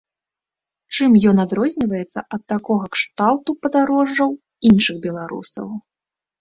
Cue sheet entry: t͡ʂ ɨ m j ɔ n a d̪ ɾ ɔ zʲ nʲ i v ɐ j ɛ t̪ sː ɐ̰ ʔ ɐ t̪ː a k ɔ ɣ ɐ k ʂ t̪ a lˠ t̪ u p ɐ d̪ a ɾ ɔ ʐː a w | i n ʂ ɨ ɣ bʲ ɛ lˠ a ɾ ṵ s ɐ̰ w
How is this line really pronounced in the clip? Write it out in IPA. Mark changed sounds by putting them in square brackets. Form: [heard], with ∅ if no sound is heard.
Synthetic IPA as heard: t͡ʂ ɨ m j ɔ n a d̪ ɾ ɔ zʲ nʲ i v ɐ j ɛ t̪ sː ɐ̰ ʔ ɐ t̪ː a k ɔ ɣ ɐ k ʂ t̪ a lˠ t̪ u p ɐ d̪ a ɾ ɔ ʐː [ɐ] w | i n ʂ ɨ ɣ bʲ ɛ lˠ a ɾ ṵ s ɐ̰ w

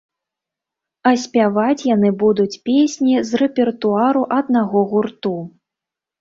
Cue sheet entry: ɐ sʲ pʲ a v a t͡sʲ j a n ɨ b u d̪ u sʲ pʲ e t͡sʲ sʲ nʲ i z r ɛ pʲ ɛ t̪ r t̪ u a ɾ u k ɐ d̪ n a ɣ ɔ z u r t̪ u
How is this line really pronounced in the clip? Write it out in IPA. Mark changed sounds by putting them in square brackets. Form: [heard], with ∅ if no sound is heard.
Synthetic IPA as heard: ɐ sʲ pʲ a v a t͡sʲ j a n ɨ b u d̪ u [t͡sʲ] pʲ e [∅] sʲ nʲ i z r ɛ pʲ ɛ [∅] r t̪ u a ɾ u [ʔ] ɐ d̪ n a ɣ ɔ [ɣ] u r t̪ u

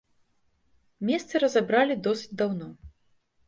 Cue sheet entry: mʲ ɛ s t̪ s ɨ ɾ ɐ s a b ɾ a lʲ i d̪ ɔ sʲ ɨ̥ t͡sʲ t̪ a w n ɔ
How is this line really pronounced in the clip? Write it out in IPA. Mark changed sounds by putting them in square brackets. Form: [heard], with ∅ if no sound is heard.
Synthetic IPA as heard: mʲ ɛ s t̪ s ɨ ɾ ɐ [z] a b ɾ a lʲ i d̪ ɔ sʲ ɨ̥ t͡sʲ [d̪] a w n ɔ

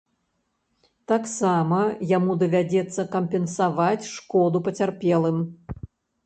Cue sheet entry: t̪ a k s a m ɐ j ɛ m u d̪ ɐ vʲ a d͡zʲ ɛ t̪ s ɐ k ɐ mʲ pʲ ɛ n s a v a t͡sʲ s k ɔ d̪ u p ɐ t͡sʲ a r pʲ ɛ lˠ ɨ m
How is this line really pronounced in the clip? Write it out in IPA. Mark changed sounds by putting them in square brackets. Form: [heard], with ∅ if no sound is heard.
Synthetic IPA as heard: t̪ a k s a m ɐ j [a] m u d̪ ɐ vʲ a d͡zʲ ɛ t̪ [sː] ɐ k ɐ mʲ pʲ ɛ n s a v a t͡sʲ [ʂ] k ɔ d̪ u p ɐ t͡sʲ a r pʲ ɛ lˠ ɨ m

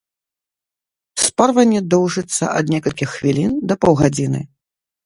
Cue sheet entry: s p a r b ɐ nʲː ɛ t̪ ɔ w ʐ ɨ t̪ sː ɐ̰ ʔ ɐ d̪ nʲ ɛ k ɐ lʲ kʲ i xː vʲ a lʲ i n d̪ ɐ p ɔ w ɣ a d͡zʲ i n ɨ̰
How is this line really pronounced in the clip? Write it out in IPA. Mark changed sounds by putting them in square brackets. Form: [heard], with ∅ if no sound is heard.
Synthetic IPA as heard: s p a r [v] ɐ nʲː ɛ [d̪] ɔ w ʐ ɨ t̪ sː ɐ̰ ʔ ɐ d̪ nʲ ɛ k ɐ lʲ kʲ i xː vʲ [i] lʲ i n d̪ ɐ p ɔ w ɣ a d͡zʲ i n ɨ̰

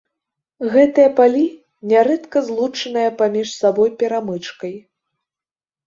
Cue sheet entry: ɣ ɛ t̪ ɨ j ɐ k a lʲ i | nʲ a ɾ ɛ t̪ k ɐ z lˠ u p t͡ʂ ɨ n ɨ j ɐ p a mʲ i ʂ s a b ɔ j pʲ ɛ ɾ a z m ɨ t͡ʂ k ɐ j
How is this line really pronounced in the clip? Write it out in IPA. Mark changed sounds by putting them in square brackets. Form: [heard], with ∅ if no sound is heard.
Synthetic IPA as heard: ɣ ɛ t̪ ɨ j ɐ [p] a lʲ i | nʲ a ɾ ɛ t̪ k ɐ z lˠ u [∅] t͡ʂ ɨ n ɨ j ɐ p a mʲ i ʂ s a b ɔ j pʲ ɛ ɾ a [∅] m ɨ t͡ʂ k ɐ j

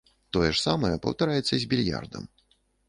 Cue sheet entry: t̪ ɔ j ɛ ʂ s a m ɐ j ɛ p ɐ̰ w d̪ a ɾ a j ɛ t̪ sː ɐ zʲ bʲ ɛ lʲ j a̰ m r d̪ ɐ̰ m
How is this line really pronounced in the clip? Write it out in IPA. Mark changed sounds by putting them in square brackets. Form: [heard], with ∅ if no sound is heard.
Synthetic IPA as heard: t̪ ɔ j ɛ ʂ s a m ɐ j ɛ p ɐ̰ w [t̪] a ɾ a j ɛ t̪ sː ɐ zʲ bʲ [i] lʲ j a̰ [∅] r d̪ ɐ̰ m

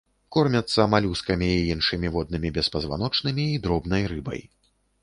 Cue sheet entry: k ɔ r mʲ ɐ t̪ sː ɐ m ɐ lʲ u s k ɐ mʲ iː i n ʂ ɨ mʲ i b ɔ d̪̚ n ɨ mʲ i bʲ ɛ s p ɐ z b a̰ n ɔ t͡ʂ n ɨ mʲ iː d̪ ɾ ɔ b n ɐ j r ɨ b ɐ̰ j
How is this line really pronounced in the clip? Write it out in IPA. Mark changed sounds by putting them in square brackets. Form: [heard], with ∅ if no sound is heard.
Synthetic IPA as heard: k ɔ r mʲ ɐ t̪ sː ɐ m [a] lʲ u s k ɐ mʲ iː i n ʂ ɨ mʲ i [v] ɔ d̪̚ n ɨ mʲ i bʲ ɛ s p ɐ z [v] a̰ n ɔ t͡ʂ n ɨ mʲ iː d̪ ɾ ɔ b n ɐ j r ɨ b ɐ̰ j

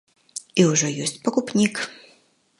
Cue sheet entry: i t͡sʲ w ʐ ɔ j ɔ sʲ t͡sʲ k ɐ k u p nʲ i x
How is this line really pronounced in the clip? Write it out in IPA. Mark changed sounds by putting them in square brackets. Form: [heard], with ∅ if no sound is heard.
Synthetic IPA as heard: i [∅] w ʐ ɔ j ɔ sʲ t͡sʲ [p] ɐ k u p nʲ i [k]

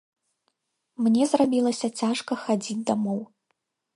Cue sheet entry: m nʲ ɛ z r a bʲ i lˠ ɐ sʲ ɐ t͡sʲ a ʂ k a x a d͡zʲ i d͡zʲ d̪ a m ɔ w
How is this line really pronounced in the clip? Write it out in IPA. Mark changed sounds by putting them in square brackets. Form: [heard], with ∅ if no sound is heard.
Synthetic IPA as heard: m nʲ ɛ z r a bʲ i lˠ ɐ sʲ ɐ t͡sʲ a ʂ k [ɐ] x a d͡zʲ i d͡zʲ d̪ a m ɔ w

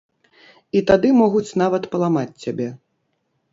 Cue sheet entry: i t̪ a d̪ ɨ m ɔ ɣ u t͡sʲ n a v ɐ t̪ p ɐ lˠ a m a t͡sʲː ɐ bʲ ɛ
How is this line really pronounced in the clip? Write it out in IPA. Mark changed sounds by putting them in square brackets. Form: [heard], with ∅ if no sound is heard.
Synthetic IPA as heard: i t̪ a d̪ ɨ m ɔ ɣ u t͡sʲ n a v ɐ t̪ p ɐ lˠ a m a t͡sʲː [a] bʲ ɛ

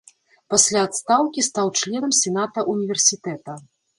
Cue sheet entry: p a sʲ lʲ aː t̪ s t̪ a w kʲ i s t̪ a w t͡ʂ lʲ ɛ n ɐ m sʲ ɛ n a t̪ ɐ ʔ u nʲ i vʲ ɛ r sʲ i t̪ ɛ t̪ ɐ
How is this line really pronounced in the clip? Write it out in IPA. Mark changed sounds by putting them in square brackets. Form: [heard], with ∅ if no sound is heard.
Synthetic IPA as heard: p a sʲ lʲ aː t̪ s t̪ a w kʲ i s t̪ a w t͡ʂ lʲ ɛ n ɐ m sʲ ɛ n a t̪ ɐ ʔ u nʲ i vʲ ɛ r sʲ i t̪ ɛ t̪ ɐ

